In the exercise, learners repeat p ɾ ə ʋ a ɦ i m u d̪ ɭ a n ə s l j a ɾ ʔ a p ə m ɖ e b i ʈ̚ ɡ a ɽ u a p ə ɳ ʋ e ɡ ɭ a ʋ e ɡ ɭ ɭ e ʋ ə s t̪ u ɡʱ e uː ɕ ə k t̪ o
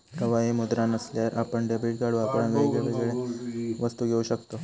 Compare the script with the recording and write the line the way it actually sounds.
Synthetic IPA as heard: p ɾ ə ʋ a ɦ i m u d̪ ɾ a n ə s l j a ɾ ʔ a p ə ɳ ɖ e b i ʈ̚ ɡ a ɽ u a p ə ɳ ʋ e ɡ ɭ e ʋ e ɡ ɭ ɭ e ʋ ə s t̪ u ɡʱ e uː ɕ ə k t̪ o